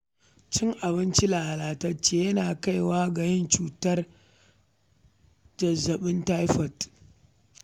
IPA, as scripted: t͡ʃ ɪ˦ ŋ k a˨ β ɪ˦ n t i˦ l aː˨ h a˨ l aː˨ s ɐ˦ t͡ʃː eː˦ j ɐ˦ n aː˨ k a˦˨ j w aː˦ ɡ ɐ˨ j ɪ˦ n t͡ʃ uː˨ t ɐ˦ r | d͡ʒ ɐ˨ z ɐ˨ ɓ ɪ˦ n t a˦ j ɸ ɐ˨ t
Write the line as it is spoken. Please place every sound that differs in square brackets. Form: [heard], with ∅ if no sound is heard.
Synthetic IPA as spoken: t͡ʃ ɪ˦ ŋ [ʔ] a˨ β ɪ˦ n [t͡ʃ] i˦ l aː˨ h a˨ l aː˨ [t] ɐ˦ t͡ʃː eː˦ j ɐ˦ n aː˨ k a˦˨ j w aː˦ ɡ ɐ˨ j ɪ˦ n t͡ʃ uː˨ t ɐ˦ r | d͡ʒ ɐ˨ z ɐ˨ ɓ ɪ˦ n t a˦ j ɸ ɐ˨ t

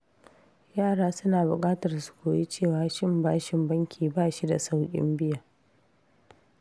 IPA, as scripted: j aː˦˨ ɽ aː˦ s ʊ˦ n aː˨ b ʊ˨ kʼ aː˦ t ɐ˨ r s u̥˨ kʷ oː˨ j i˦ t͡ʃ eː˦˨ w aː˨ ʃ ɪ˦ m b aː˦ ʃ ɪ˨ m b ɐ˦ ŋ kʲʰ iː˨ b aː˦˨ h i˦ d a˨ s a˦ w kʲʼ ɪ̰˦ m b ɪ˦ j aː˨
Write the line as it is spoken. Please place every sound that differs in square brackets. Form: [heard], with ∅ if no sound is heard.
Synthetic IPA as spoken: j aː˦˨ ɽ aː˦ s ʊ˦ n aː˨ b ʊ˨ kʼ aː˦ t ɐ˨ r s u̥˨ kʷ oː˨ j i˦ t͡ʃ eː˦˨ w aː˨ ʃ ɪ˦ m b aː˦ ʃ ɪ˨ m b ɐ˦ ŋ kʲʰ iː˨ b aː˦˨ [ʃ] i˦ d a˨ s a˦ w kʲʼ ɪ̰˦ m b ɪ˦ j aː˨

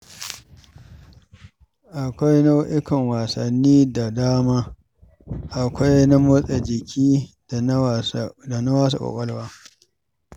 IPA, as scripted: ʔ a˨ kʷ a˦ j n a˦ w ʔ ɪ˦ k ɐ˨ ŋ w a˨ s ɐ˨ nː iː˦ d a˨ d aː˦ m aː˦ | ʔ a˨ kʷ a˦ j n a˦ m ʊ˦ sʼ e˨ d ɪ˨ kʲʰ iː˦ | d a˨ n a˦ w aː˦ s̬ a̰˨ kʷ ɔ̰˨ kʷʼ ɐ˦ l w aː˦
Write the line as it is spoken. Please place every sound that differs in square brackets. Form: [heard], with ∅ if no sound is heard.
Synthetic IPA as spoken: ʔ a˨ kʷ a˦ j n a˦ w ʔ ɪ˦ k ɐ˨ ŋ w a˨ s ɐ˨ nː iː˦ d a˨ d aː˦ m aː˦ | ʔ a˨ kʷ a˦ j n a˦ m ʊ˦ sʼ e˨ [d͡ʒ] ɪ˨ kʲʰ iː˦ | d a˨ n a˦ w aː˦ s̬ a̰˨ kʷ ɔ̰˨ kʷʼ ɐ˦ l w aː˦

